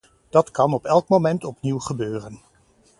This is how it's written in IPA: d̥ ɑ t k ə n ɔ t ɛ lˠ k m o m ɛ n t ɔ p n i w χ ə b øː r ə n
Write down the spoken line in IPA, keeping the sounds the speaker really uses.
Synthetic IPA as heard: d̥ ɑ t k ɑ n ɔ p ɛ lˠ k m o m ɛ n t ɔ p n i w χ ə b øː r ə n